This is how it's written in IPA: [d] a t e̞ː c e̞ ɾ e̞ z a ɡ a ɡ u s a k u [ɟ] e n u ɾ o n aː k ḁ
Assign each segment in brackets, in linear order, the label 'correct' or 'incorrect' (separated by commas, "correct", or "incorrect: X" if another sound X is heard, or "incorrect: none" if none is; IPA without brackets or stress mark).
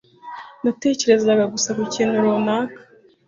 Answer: incorrect: n, incorrect: c